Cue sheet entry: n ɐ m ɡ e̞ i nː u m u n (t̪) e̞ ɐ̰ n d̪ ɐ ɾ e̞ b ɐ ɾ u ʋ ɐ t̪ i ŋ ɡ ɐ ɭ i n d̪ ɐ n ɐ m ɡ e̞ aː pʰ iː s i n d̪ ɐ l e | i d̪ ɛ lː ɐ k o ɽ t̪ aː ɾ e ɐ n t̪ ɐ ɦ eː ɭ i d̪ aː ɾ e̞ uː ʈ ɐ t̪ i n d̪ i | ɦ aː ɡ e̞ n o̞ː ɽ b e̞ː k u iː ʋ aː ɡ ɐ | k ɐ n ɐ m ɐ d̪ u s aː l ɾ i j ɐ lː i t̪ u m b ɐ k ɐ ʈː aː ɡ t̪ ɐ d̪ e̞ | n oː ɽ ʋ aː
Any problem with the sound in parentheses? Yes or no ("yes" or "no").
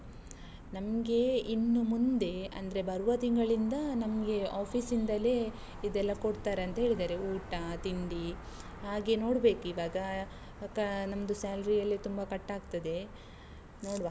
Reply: yes